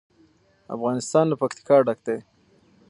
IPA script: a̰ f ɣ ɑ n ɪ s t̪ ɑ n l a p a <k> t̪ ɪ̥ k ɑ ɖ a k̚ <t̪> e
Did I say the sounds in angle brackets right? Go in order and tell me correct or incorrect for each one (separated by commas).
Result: correct, incorrect